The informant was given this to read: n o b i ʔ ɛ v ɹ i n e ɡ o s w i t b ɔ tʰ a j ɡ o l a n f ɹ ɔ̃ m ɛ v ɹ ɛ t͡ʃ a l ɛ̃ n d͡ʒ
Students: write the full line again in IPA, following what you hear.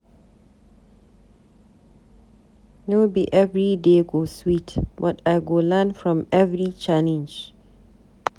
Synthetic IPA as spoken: n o b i ʔ ɛ v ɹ i d e ɡ o s w i t b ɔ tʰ a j ɡ o l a n f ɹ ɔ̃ m ɛ v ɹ i t͡ʃ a l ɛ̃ n d͡ʒ